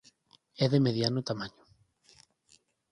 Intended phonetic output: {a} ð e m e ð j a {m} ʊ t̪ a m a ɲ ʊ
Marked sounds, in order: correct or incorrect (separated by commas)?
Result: incorrect, incorrect